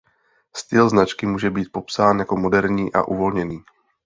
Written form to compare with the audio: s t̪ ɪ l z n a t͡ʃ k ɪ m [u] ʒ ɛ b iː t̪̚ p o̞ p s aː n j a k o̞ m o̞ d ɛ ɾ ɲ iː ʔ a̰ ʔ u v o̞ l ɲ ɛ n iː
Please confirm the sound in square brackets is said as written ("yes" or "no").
no